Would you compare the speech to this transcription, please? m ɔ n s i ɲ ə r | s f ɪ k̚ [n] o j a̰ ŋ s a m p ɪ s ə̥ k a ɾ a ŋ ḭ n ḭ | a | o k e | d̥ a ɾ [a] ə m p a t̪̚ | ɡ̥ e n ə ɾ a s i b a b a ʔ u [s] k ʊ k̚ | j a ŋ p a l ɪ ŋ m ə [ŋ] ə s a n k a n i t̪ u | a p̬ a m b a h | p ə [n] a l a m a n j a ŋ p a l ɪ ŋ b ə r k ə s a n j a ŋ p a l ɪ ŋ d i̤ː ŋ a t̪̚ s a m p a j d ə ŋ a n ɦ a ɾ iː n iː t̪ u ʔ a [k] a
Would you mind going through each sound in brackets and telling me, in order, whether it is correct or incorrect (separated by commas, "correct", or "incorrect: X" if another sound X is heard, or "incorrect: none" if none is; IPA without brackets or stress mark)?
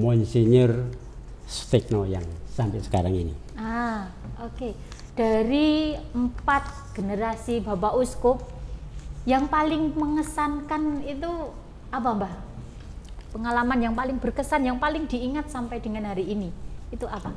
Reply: correct, incorrect: i, correct, correct, incorrect: ŋ, incorrect: p